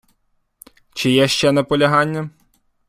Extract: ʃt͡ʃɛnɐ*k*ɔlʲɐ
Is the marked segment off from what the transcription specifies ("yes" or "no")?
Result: yes